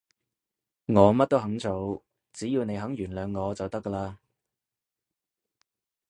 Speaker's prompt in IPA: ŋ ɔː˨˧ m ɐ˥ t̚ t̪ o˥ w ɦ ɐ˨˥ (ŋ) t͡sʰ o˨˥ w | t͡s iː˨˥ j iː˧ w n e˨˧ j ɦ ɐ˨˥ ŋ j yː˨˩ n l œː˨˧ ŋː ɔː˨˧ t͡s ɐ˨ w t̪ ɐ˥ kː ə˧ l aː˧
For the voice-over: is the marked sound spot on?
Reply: yes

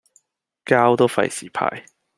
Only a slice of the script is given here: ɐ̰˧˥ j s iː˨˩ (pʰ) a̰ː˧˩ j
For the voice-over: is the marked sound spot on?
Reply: yes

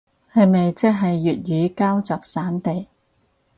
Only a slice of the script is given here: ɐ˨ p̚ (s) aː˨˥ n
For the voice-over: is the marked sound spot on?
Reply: yes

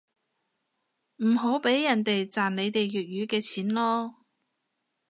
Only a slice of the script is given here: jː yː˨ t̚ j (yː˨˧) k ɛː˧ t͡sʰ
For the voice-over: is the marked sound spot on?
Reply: yes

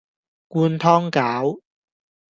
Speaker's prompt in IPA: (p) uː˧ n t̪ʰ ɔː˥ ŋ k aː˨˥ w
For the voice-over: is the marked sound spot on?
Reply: no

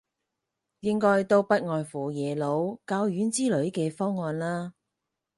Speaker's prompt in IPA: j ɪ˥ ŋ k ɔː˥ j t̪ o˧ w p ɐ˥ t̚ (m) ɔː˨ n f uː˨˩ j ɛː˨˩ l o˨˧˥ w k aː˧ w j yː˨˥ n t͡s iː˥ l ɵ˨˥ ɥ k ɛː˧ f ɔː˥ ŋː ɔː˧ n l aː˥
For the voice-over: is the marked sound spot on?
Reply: no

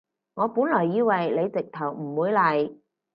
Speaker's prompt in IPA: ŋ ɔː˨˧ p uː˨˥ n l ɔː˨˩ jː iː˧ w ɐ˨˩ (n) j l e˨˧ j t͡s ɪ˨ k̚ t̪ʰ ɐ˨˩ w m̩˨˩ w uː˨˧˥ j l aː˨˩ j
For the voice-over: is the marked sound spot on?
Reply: no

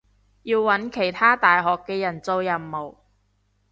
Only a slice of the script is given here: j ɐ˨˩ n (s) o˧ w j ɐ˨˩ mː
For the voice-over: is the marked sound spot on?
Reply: no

